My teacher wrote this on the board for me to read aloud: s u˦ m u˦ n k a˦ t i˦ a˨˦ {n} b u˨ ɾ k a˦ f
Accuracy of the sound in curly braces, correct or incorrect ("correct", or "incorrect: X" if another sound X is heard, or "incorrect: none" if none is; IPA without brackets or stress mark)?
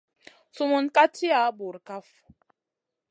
incorrect: none